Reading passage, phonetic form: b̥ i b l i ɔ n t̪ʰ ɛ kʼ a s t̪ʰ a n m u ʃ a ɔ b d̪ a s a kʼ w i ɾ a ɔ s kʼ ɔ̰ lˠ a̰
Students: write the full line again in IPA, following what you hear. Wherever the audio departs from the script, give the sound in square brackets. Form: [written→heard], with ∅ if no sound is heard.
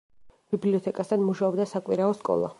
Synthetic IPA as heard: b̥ i b l i ɔ [n→∅] t̪ʰ ɛ kʼ a s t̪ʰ a n m u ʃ a ɔ b d̪ a s a kʼ w i ɾ a ɔ s kʼ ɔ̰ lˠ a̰

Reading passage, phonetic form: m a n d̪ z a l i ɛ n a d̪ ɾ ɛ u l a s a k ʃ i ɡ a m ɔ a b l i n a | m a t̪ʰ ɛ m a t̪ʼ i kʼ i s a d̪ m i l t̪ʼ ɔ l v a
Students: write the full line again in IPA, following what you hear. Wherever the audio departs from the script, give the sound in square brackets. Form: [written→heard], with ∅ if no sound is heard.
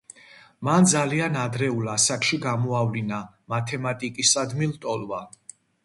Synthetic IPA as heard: m a n d̪ z a l i [ɛ→a] n a d̪ ɾ ɛ u l a s a k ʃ i ɡ a m ɔ a [b→v] l i n a | m a t̪ʰ ɛ m a t̪ʼ i kʼ i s a d̪ m i l t̪ʼ ɔ l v a

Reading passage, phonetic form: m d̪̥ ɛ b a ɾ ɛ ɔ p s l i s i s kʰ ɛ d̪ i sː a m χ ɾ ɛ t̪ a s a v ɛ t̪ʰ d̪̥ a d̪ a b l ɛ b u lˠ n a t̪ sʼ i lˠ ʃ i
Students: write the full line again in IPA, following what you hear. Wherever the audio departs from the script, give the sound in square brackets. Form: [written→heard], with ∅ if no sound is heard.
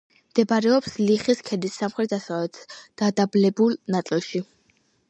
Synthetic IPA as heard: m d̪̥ ɛ b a ɾ ɛ ɔ p s l i [s→χ] i s kʰ ɛ d̪ i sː a m χ ɾ ɛ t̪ a s a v ɛ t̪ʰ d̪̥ a d̪ a b l ɛ b u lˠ n a t̪ sʼ i lˠ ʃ i

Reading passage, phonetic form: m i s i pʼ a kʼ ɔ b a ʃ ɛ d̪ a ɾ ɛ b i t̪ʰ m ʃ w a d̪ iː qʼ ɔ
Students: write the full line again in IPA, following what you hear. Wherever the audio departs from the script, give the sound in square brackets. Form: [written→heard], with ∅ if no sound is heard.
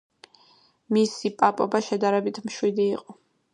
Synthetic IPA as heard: m i s i pʼ a [kʼ→pʼ] ɔ b a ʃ ɛ d̪ a ɾ ɛ b i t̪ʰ m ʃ w [a→i] d̪ iː qʼ ɔ

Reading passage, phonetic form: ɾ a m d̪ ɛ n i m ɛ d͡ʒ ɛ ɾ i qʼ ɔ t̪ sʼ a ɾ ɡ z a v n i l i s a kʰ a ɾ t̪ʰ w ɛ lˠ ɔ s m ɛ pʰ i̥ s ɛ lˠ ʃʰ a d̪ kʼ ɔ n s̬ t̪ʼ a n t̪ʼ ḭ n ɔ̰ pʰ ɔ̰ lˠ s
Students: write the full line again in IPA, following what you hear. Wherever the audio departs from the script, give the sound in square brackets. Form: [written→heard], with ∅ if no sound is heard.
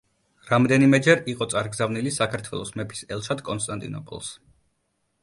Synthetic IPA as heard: ɾ a m d̪ ɛ n i m ɛ d͡ʒ ɛ ɾ i qʼ ɔ t̪ sʼ a ɾ ɡ z a v n i l i s a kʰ a ɾ t̪ʰ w ɛ lˠ ɔ s m ɛ pʰ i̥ s ɛ lˠ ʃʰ a d̪ kʼ ɔ n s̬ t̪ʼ a n t̪ʼ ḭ n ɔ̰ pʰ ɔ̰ lˠ s

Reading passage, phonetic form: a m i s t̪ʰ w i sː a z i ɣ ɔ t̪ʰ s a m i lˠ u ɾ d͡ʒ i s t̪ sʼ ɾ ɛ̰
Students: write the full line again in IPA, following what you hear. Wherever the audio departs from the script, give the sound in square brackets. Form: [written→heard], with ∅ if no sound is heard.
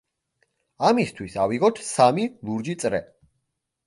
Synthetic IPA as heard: a m i s t̪ʰ w i [sː→s] a [z→v] i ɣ ɔ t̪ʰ s a m i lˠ u ɾ d͡ʒ i [s→∅] t̪ sʼ ɾ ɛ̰

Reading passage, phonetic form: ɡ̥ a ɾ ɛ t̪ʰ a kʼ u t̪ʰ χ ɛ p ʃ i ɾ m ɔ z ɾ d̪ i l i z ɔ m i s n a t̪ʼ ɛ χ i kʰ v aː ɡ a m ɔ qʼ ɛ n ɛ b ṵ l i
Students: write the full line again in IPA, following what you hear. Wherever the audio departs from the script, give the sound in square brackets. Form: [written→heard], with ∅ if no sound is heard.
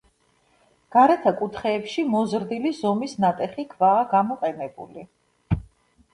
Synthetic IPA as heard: ɡ̥ a ɾ ɛ t̪ʰ a kʼ u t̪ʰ χ [ɛ→ɛː] p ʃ i [ɾ→∅] m ɔ z ɾ d̪ i l i z ɔ m i s n a t̪ʼ ɛ χ i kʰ v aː ɡ a m ɔ qʼ ɛ n ɛ b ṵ l i

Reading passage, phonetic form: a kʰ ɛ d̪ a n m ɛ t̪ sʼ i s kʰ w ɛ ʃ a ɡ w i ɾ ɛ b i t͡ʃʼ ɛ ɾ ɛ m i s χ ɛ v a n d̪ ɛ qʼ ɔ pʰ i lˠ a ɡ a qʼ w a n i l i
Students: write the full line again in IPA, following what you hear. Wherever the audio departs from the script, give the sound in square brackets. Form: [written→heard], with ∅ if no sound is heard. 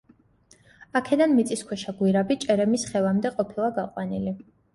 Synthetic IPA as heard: a kʰ ɛ d̪ a n m [ɛ→i] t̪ sʼ i s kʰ w ɛ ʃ a ɡ w i ɾ [ɛ→a] b i t͡ʃʼ ɛ ɾ ɛ m i s χ ɛ v a [n→m] d̪ ɛ qʼ ɔ pʰ i lˠ a ɡ a qʼ w a n i l i

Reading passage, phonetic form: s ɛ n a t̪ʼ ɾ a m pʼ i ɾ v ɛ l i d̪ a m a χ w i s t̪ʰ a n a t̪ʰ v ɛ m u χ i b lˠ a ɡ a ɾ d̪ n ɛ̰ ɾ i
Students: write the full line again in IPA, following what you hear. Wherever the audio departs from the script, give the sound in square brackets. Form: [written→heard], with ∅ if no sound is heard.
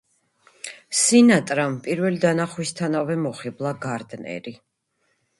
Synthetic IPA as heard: s [ɛ→i] n a t̪ʼ ɾ a m pʼ i ɾ v ɛ l i d̪ a [m→n] a χ w i s t̪ʰ a n a [t̪ʰ→∅] v ɛ m [u→ɔ] χ i b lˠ a ɡ a ɾ d̪ n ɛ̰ ɾ i

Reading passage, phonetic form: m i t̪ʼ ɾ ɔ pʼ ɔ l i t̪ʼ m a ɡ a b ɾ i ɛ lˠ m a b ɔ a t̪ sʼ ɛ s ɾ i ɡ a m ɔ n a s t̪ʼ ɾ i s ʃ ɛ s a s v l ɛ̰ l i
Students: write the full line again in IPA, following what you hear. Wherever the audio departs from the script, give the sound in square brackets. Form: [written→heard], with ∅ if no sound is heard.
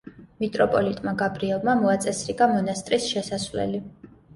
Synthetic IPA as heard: m i t̪ʼ ɾ ɔ pʼ ɔ l i t̪ʼ m a ɡ a b ɾ i ɛ lˠ m a [b→m] ɔ a t̪ sʼ ɛ s ɾ i ɡ a m ɔ n a s t̪ʼ ɾ i s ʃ ɛ s a s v l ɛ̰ l i

